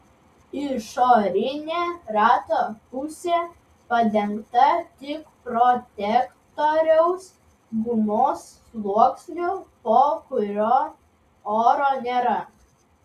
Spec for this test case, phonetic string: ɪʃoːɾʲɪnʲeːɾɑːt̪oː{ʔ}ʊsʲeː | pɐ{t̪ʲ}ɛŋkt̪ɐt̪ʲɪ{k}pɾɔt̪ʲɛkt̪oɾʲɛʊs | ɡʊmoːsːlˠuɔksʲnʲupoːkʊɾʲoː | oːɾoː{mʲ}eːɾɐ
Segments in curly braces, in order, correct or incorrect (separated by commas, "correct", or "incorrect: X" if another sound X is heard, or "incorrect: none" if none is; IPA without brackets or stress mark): incorrect: p, incorrect: d̪ʲ, correct, incorrect: nʲ